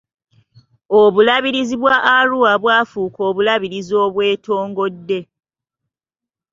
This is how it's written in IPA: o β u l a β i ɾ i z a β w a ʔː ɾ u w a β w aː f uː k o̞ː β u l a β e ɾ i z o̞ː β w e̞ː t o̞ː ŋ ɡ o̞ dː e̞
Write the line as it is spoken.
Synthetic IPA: o β u l a β i ɾ i z i β w a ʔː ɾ u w a β w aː f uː k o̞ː β u l a β i ɾ i z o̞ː β w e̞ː t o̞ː ŋ ɡ o̞ dː e̞